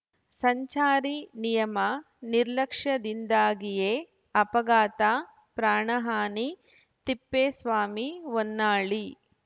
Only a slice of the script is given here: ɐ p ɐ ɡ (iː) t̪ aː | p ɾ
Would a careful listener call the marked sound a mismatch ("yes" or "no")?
yes